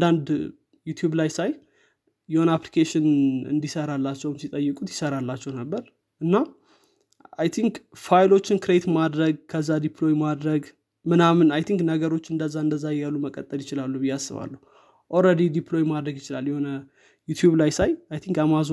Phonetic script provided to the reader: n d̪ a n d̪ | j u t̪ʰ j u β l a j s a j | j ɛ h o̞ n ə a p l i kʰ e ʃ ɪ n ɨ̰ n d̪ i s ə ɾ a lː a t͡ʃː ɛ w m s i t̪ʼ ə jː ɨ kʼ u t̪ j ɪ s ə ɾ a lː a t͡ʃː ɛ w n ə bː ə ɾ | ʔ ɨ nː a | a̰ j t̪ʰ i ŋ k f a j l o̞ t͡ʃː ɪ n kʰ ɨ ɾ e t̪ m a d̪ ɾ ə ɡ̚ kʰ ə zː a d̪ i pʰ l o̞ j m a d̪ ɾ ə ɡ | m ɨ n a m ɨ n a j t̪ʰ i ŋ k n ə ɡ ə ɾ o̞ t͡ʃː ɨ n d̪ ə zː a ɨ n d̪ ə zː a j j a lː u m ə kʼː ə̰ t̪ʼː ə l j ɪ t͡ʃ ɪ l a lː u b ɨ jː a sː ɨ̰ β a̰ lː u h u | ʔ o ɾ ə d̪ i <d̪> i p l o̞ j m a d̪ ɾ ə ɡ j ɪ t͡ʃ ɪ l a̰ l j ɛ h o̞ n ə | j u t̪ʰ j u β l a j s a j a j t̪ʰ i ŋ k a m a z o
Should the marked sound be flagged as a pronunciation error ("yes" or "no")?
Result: no